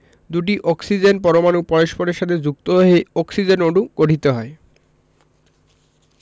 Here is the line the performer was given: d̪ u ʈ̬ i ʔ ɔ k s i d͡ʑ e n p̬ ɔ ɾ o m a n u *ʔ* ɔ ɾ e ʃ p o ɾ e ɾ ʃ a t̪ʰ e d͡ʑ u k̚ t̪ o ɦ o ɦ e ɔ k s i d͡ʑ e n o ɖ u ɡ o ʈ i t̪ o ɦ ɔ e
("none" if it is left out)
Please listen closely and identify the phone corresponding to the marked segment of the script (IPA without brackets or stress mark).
p